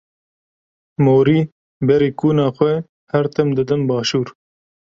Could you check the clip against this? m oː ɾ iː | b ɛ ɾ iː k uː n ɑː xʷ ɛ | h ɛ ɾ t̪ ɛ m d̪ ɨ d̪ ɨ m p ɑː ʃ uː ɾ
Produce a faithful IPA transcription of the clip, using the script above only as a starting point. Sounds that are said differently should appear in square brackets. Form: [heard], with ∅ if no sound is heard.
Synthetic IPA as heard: m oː ɾ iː | b ɛ ɾ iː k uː n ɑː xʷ ɛ | h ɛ ɾ t̪ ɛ m d̪ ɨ d̪ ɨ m [b] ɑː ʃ uː ɾ